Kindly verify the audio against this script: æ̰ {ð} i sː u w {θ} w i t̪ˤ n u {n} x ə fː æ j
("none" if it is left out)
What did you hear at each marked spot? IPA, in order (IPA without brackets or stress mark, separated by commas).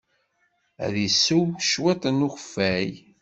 ð, ʃ, none